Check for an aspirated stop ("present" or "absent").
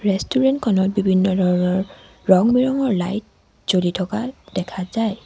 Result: present